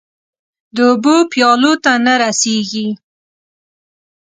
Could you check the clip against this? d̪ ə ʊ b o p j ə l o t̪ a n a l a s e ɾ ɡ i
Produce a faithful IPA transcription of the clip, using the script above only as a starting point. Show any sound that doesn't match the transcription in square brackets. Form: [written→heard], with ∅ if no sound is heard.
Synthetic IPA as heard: d̪ ə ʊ b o p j [ə→ɑ] l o t̪ a n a [l→ɾ] a s e [ɾ→∅] ɡ i

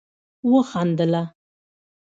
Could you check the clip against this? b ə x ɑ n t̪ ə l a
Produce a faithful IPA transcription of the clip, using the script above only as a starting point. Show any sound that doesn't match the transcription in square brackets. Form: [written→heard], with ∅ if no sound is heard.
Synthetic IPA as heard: [b→w] ə x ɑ n [t̪→d̪] ə l a

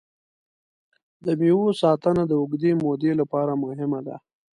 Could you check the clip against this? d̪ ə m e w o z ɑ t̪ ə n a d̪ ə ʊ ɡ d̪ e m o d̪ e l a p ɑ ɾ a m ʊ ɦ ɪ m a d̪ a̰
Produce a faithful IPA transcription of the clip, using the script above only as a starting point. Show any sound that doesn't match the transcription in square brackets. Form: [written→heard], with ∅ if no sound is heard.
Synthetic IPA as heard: d̪ ə m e w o [z→s] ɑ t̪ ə n a d̪ ə ʊ ɡ d̪ e m o d̪ e l a p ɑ ɾ a m ʊ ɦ ɪ m a d̪ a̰

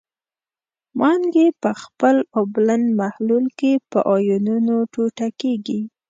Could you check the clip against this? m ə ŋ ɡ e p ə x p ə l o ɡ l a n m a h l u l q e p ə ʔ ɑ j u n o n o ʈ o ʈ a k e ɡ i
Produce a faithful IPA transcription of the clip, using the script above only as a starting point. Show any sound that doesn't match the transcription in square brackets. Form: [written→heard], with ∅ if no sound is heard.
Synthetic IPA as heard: m [ə→ɑ] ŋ ɡ e p ə x p ə l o [ɡ→b] l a n m a h l u l [q→k] e p ə ʔ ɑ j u n [o→u] n o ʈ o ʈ a k e ɡ i

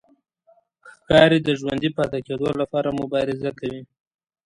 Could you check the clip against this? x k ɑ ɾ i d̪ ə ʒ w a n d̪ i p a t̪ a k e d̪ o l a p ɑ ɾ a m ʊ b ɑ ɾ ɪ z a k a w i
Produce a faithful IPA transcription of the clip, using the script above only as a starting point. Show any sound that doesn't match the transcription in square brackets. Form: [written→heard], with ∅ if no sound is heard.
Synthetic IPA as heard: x k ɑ ɾ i d̪ ə ʒ w a n d̪ i p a t̪ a k e d̪ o l a p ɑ ɾ a m ʊ b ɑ ɾ ɪ z a k a w i

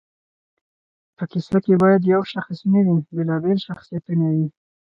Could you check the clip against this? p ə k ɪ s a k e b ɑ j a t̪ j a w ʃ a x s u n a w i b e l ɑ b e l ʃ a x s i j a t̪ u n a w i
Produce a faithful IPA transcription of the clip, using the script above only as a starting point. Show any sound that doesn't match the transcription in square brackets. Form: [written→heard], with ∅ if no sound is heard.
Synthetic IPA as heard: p ə k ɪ s a k e b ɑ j a [t̪→d̪] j a w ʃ a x s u n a w i b e l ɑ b e l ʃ a x s i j a t̪ u n a w i

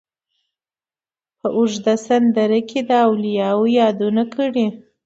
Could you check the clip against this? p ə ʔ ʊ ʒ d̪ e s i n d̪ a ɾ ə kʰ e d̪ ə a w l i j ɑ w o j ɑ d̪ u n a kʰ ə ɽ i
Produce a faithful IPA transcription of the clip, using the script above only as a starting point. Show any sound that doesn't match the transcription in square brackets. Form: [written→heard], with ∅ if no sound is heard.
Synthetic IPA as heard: p ə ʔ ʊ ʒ d̪ [e→a] s [i→a] n d̪ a ɾ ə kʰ e d̪ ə a w l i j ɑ w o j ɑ d̪ u n a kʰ ə ɽ i

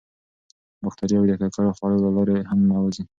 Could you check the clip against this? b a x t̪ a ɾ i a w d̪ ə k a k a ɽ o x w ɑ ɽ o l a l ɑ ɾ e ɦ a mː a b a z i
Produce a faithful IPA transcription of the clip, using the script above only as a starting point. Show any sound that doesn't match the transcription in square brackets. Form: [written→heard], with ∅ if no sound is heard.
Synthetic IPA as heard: b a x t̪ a ɾ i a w d̪ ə k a k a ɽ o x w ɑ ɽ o l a l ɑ ɾ e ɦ a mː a [b→w] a z i

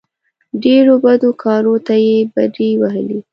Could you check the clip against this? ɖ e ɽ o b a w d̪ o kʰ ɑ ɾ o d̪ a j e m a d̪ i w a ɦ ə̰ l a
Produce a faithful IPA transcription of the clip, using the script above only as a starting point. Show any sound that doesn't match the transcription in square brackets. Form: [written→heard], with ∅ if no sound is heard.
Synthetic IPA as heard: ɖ e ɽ o b a [w→∅] d̪ o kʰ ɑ ɾ o [d̪→t̪] a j e [m→b] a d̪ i w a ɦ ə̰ l [a→i]

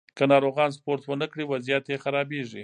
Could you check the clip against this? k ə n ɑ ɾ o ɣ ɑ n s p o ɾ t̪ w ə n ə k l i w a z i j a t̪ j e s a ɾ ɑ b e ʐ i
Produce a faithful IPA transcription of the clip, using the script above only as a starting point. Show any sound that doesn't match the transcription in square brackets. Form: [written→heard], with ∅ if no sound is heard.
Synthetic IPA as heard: k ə n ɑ ɾ o ɣ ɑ n s p o ɾ t̪ w ə n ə k [l→ɽ] i w a z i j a t̪ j e [s→x] a ɾ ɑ b e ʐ i

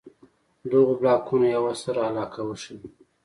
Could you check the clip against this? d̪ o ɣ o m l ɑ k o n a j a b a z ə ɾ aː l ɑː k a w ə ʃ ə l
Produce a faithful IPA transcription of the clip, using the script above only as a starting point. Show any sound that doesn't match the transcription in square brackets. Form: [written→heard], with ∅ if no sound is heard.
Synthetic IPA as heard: d̪ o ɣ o [m→b] l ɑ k [o→u] n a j a [b→w] a [z→s] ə ɾ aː l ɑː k a w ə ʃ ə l

